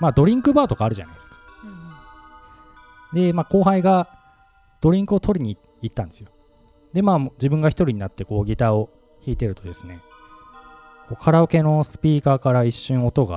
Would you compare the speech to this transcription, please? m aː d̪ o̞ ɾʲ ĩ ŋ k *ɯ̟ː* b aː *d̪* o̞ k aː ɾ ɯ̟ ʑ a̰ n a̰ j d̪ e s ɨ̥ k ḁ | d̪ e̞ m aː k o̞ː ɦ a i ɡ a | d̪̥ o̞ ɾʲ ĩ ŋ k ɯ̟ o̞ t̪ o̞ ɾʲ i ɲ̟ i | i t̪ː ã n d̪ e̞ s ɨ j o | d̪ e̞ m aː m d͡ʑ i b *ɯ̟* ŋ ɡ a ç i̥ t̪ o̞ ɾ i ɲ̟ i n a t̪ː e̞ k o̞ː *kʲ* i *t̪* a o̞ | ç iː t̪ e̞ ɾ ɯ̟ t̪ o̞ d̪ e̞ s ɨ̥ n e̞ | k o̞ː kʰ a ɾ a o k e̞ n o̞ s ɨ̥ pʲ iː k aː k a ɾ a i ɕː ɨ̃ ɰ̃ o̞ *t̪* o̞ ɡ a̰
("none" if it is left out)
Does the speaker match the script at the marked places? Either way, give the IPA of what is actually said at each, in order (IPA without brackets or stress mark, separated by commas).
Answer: ɯ̟, t̪, ɯ̟̃, ɡʲ, t̪, t̪